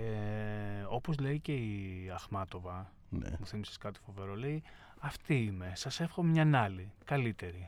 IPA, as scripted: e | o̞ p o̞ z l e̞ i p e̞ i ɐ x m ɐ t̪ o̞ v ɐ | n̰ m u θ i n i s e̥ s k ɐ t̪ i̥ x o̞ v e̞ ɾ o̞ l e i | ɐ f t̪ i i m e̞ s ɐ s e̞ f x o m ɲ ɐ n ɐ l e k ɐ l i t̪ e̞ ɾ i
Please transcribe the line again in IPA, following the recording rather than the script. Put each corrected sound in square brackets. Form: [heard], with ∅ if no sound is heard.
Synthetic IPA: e | o̞ p o̞ z l e̞ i [c] e̞ i ɐ x m ɐ t̪ o̞ v ɐ | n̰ m u θ i [m] i s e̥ s k ɐ t̪ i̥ [f] o̞ v e̞ ɾ o̞ l e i | ɐ f t̪ i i m e̞ s ɐ s e̞ f x o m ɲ ɐ n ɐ l [i] k ɐ l i t̪ e̞ ɾ i